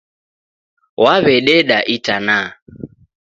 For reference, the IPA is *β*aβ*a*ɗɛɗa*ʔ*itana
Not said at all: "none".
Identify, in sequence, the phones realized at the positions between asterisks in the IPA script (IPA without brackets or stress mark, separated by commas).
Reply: w, ɛ, ʔ